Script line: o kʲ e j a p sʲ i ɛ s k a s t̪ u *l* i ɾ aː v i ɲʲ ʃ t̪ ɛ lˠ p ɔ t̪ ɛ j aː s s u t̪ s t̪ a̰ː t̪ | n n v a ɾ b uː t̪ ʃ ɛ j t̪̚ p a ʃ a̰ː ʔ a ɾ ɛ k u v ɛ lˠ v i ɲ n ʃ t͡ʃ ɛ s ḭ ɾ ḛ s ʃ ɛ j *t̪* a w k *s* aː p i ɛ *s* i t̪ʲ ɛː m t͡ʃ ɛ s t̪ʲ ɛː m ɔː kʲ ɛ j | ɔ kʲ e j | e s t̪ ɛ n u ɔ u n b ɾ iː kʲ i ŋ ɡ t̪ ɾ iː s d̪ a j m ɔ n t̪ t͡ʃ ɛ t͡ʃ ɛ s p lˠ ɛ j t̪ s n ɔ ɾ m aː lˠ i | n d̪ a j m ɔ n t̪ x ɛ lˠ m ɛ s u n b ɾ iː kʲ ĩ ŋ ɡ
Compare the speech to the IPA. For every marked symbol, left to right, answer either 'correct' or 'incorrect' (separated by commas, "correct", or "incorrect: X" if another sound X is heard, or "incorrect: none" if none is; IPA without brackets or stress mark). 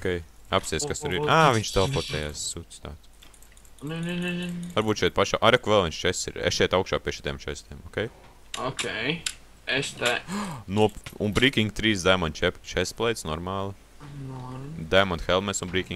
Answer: incorrect: ɾ, correct, incorrect: ʃ, incorrect: ʃ